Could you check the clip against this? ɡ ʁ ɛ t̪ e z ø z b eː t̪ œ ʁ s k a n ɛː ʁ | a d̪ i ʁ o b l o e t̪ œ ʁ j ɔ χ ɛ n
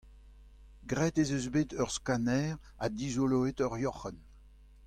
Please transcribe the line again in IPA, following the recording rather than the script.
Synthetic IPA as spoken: ɡ ʁ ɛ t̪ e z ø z b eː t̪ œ ʁ s k a n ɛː ʁ | a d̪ i z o l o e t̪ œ ʁ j ɔ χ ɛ n